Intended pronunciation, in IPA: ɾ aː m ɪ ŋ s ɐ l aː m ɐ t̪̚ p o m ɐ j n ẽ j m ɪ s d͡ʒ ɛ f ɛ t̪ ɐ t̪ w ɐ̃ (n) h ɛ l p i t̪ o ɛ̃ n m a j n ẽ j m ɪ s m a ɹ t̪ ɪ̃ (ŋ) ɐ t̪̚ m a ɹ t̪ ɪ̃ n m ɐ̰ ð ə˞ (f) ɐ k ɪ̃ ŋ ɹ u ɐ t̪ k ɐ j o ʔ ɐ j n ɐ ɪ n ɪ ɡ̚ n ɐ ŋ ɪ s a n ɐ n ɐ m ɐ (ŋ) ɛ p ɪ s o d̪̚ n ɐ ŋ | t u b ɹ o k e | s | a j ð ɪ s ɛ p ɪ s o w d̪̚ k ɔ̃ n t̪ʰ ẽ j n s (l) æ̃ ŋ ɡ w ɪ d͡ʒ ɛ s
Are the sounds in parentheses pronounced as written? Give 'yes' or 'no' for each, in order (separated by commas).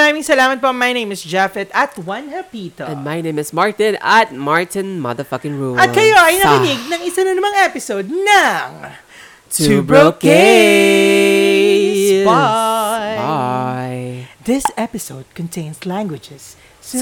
yes, no, yes, yes, yes